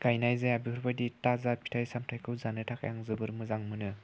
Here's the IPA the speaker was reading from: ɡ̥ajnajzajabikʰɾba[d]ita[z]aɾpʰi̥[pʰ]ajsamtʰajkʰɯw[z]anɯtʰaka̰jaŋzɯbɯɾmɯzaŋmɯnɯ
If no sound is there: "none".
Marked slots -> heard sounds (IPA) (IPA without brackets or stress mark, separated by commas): d, z, tʰ, z